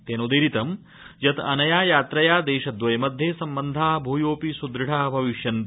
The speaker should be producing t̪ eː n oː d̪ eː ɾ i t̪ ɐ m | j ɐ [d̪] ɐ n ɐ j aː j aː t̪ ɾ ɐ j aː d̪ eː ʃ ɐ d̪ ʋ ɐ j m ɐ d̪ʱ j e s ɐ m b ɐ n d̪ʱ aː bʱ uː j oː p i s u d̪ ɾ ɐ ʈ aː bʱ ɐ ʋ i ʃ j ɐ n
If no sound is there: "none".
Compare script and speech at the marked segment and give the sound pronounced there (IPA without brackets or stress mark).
t̪